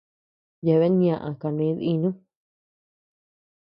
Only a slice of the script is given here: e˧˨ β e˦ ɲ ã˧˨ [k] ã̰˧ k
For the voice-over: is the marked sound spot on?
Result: no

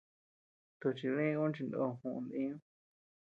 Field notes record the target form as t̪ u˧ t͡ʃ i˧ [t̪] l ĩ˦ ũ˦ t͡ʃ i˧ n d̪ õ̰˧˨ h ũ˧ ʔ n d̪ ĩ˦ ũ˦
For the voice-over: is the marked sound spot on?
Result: no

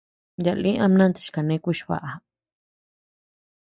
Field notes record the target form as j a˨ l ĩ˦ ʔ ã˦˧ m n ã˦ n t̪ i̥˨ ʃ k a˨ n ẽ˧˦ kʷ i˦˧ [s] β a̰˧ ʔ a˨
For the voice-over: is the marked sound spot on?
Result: no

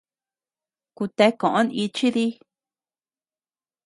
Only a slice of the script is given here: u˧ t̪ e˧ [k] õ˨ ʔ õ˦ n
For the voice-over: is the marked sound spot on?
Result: yes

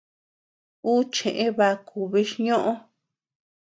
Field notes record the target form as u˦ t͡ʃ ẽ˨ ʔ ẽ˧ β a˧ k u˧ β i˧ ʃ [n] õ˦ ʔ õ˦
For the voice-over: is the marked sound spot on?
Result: no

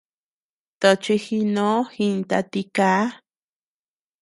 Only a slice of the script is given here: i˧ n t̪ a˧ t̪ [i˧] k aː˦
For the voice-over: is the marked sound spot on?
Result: yes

